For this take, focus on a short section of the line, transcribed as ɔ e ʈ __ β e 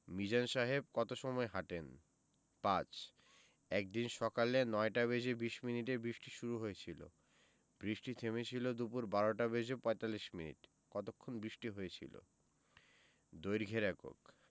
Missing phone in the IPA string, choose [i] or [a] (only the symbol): a